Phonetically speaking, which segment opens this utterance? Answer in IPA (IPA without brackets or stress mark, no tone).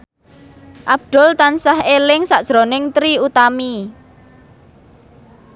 ʔ